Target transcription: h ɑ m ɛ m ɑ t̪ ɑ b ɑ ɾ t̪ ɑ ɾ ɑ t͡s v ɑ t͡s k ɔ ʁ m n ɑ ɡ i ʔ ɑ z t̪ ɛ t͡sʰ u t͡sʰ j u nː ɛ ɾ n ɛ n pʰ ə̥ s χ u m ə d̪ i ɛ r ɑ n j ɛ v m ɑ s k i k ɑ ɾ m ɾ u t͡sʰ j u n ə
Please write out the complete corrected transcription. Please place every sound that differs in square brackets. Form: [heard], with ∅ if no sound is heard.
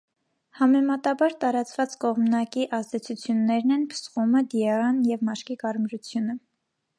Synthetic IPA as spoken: h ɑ m ɛ m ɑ t̪ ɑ b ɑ ɾ t̪ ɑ ɾ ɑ t͡s v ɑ t͡s k ɔ ʁ m n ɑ [k] i ʔ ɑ z [d̪] ɛ t͡sʰ u t͡sʰ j u nː ɛ ɾ n ɛ n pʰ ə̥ s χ u m ə d̪ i ɛ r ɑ n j ɛ v m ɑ [ʃ] k i k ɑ ɾ m ɾ u t͡sʰ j u n ə